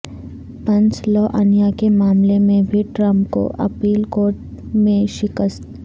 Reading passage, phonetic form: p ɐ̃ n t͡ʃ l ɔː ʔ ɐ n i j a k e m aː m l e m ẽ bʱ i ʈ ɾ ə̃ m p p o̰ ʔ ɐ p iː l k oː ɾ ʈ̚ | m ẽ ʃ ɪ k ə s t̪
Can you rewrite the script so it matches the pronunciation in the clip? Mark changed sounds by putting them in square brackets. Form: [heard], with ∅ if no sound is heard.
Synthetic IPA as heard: p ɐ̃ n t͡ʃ l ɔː ʔ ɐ n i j a k e m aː m l e m ẽ bʱ i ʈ ɾ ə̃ m p [k] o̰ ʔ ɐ p iː l k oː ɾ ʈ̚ | m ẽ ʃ ɪ k ə s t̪